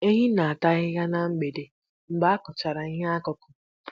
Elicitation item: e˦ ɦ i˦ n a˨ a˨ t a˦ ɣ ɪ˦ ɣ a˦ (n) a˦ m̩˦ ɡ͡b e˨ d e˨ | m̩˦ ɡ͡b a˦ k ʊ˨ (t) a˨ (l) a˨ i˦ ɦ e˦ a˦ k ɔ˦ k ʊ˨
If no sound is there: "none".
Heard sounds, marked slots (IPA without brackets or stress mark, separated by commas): n, t͡ʃ, ɾ